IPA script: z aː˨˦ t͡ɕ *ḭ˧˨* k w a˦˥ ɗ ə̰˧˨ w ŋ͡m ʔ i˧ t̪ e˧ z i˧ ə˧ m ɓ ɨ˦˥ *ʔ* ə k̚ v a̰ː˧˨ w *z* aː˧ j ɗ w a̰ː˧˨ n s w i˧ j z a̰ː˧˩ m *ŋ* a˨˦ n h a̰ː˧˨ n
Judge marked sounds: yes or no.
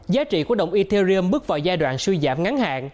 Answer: yes, no, yes, yes

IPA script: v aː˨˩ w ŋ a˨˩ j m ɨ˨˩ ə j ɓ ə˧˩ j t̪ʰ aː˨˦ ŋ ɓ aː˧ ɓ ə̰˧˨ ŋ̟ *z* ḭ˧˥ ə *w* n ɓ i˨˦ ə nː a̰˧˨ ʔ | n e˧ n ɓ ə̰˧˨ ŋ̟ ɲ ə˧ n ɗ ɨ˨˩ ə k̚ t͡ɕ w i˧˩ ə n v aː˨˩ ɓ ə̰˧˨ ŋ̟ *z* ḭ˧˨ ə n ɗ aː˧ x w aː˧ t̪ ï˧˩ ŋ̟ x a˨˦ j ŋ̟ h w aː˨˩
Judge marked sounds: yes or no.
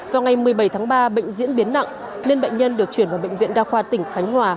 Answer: yes, no, no

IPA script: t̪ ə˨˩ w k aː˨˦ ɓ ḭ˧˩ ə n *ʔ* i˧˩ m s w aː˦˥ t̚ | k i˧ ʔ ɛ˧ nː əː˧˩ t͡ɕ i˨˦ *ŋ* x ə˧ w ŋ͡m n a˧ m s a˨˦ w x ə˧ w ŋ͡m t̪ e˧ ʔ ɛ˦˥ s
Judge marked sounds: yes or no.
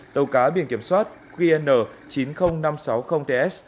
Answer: no, no

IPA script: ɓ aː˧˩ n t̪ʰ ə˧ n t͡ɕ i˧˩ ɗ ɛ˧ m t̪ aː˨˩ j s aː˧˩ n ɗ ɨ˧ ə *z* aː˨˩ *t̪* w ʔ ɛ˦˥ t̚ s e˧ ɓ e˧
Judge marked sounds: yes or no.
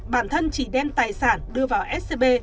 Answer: no, no

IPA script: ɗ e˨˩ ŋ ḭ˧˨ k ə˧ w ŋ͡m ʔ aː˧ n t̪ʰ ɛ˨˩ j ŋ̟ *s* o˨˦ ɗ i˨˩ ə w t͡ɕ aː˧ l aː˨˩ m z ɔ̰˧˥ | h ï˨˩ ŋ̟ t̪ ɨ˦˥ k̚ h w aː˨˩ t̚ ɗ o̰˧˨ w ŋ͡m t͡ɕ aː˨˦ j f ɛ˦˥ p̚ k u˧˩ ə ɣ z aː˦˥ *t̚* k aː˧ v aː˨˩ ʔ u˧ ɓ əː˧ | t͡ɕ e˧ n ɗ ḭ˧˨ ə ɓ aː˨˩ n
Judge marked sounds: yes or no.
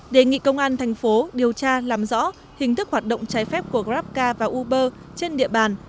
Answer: no, no

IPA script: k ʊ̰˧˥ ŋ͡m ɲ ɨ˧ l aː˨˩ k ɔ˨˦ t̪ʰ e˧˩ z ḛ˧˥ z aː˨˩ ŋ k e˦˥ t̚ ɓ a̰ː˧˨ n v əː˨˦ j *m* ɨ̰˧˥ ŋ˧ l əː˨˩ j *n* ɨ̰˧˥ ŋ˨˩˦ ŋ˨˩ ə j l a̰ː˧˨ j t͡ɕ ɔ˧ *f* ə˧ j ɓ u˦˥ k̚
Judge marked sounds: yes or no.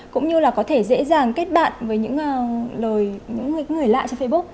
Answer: no, no, yes

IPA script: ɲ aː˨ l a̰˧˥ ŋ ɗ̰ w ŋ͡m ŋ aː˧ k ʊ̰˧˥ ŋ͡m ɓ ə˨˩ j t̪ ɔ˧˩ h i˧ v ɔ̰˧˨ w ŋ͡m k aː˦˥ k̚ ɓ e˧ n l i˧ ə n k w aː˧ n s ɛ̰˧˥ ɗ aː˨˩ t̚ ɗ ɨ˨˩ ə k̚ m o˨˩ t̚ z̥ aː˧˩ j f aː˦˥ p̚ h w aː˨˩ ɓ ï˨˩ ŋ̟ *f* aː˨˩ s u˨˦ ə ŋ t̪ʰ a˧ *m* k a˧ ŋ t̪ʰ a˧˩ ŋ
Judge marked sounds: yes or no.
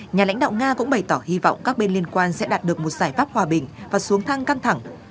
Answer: no, no

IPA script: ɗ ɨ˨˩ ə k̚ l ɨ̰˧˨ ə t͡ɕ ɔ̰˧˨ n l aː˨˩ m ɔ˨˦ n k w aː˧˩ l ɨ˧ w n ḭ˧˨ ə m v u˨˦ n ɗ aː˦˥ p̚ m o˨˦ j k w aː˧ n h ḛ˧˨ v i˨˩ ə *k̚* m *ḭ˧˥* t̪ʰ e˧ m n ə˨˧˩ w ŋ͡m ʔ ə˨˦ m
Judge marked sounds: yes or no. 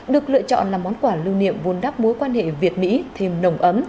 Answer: no, yes

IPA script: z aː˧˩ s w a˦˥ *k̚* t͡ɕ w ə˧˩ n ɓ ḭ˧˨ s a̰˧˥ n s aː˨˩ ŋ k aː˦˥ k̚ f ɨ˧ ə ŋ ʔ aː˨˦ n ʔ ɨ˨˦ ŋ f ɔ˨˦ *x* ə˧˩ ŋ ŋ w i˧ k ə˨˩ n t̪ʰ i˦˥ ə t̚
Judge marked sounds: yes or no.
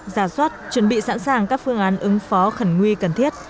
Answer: no, yes

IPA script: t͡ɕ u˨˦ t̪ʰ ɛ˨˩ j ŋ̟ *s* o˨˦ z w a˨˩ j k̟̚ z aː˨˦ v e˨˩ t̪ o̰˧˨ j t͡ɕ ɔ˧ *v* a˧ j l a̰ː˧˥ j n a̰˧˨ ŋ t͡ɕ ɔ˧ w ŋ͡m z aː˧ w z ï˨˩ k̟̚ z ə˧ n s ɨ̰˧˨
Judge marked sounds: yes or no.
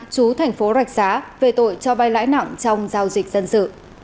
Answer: no, yes

